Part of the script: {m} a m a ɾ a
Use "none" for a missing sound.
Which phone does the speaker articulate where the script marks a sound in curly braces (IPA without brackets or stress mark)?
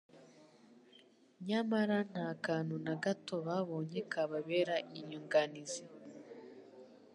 ɲ